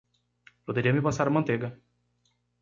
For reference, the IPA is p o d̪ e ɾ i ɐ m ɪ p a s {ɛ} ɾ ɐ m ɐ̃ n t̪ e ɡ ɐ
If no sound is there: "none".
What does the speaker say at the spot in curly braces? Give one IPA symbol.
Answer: a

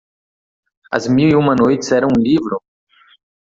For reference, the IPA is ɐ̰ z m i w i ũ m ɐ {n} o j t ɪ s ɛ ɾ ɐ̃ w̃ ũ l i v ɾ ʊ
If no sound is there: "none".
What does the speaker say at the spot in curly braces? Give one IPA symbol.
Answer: n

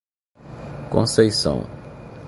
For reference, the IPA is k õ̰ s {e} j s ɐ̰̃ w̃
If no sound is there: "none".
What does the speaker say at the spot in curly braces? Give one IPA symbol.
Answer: e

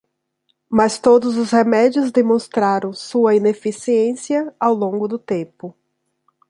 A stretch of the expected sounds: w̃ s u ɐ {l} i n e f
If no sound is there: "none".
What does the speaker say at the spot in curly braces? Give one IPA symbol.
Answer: none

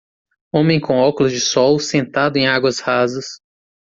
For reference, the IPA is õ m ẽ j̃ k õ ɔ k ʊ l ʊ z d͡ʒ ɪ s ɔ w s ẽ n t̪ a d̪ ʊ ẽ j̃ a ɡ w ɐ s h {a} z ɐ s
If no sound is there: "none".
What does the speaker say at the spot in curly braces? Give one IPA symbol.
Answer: a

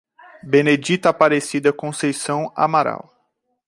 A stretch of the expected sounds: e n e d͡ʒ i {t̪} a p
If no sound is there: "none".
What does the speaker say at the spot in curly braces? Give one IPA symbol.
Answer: t̪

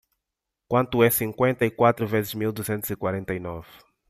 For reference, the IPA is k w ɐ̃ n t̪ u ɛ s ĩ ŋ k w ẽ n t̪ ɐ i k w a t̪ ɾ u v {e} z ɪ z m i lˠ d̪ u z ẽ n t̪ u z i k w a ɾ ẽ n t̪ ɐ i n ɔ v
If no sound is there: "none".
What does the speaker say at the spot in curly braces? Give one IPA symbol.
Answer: e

